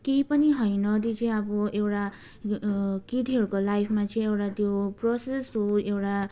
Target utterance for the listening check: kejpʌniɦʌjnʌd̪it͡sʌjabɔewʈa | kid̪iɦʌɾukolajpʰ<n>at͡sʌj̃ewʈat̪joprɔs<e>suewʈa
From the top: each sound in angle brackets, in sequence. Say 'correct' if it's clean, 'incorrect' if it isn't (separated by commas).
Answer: incorrect, correct